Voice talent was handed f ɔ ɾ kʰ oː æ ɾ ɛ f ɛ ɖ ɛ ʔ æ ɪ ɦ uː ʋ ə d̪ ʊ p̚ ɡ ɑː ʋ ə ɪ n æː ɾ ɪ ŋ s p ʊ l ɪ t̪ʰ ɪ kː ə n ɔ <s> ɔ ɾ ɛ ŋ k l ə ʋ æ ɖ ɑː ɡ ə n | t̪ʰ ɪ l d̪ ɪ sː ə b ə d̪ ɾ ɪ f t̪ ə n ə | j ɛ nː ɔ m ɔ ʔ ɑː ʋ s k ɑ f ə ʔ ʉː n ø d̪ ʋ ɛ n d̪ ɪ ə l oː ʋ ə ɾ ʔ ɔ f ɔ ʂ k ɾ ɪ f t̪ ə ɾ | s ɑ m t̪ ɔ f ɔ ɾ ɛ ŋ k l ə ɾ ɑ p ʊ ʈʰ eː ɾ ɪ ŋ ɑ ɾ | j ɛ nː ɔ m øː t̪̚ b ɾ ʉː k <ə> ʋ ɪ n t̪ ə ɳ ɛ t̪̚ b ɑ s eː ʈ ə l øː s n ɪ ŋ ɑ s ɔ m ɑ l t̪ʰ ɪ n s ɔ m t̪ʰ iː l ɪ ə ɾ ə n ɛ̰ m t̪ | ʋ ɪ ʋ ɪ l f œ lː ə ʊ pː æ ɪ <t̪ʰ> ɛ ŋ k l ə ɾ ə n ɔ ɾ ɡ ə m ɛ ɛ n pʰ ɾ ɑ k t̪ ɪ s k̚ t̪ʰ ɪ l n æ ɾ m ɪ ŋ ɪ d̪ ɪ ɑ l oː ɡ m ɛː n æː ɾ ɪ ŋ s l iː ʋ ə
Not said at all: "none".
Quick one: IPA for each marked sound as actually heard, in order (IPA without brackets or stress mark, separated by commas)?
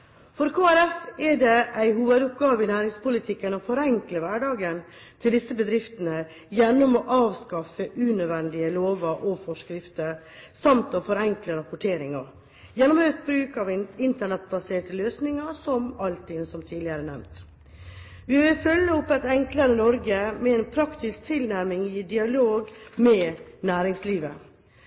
f, ɑ, t̪